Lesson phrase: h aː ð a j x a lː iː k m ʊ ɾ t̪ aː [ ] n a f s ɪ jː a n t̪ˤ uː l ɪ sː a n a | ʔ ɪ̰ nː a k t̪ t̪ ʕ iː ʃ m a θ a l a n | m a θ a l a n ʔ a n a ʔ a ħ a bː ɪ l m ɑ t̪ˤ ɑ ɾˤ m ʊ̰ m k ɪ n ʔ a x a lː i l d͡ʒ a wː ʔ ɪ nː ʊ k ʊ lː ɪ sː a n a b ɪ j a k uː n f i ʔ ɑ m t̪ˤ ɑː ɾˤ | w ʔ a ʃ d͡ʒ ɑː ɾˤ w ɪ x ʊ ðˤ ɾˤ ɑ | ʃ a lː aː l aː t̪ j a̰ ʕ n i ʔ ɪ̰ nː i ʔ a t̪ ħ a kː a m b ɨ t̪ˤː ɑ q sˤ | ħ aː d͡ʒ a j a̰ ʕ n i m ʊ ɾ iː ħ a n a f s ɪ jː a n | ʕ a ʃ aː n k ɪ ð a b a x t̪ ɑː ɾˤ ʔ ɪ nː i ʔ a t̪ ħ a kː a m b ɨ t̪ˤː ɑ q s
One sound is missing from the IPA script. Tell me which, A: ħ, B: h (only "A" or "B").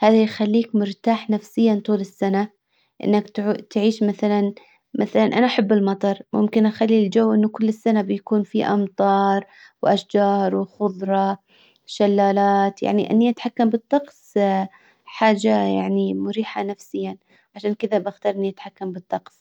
A